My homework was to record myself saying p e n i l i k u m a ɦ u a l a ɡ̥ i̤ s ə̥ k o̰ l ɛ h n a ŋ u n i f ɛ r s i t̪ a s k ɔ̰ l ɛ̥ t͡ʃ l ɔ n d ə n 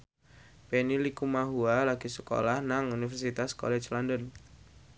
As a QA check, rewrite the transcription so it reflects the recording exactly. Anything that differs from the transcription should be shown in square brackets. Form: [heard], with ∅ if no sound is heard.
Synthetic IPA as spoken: p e n i l i k u m a ɦ u a l a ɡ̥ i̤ s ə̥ k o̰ l [a] h n a ŋ u n i f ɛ r s i t̪ a s k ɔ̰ l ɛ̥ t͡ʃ l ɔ n d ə n